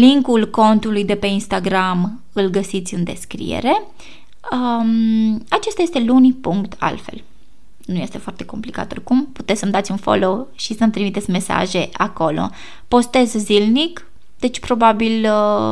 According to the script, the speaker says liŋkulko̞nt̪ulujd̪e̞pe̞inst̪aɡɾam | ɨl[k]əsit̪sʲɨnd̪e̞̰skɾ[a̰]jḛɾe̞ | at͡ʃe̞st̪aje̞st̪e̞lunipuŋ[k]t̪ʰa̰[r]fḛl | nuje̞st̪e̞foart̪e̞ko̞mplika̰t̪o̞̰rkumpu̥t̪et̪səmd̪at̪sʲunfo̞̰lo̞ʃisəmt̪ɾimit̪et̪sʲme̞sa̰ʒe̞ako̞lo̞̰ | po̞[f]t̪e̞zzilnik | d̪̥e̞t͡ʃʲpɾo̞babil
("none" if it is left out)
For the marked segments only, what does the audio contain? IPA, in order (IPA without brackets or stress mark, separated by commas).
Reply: ɡ, ḭ, k, l, s